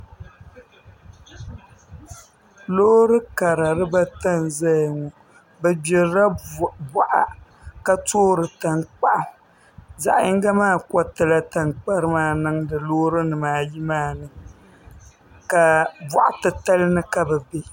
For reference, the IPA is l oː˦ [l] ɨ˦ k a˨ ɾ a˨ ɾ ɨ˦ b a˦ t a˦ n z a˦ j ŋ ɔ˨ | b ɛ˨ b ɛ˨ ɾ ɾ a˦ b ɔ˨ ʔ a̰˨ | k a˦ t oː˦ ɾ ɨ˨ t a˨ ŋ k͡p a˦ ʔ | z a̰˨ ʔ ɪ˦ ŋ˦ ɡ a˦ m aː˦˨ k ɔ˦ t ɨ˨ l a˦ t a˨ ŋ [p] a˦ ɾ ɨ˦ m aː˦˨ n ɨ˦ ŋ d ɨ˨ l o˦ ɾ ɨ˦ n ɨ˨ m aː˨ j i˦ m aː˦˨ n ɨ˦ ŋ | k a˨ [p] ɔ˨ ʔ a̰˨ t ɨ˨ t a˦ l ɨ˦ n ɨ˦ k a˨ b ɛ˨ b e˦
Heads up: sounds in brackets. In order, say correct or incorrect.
incorrect: ɾ, incorrect: k͡p, incorrect: b

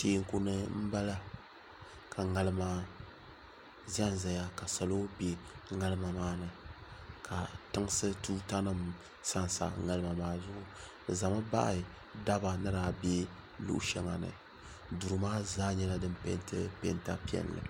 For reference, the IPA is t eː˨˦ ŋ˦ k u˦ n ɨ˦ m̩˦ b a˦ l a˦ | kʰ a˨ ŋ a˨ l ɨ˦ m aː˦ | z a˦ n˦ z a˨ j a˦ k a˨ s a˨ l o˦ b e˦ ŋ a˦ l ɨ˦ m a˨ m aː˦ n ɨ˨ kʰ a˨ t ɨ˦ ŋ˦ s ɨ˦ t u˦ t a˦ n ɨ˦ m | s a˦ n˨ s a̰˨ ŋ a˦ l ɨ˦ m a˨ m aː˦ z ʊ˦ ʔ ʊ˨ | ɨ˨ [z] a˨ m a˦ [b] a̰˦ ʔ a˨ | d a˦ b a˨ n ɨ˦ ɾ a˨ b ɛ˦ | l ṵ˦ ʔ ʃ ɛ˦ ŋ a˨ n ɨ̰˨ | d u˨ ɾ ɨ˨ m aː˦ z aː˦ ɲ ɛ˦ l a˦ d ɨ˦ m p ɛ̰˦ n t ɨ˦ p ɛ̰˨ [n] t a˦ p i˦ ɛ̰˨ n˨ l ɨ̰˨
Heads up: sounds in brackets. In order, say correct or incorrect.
correct, correct, correct

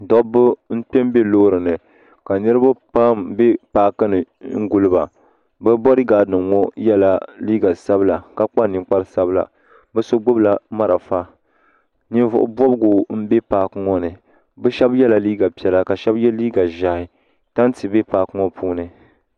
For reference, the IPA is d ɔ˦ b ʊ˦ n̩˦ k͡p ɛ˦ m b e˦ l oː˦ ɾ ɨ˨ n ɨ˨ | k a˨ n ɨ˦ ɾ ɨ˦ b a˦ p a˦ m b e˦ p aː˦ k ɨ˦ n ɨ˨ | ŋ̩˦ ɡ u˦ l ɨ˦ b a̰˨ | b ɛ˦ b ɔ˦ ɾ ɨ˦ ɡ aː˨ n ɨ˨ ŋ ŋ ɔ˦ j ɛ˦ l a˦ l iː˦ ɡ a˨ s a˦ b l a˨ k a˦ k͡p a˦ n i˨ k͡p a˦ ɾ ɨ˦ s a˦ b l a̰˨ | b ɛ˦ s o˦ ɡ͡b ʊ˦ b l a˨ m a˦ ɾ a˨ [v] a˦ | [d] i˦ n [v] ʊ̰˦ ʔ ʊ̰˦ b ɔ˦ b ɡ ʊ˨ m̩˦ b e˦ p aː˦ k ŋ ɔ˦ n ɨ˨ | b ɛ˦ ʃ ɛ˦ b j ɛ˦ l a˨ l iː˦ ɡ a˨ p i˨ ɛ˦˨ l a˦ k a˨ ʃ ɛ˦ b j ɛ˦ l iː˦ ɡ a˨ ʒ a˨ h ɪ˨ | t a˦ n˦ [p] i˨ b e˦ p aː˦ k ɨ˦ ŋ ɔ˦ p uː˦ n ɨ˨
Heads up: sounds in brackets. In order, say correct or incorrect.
incorrect: f, incorrect: n, correct, incorrect: t

